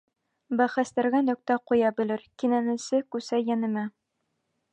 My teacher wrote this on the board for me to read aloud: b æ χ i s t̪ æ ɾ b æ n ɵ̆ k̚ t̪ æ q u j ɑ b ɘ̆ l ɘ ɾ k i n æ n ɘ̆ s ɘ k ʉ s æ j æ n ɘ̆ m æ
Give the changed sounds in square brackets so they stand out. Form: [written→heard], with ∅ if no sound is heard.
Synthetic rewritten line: b æ χ [i→æ] s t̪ æ ɾ [b→ɡ] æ n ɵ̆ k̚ t̪ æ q u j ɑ b ɘ̆ l ɘ ɾ k i n æ n ɘ̆ s ɘ k ʉ s æ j æ n ɘ̆ m æ